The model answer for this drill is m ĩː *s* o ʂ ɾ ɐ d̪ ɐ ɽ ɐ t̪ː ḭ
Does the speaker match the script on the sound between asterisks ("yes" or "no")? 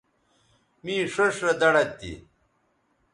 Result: no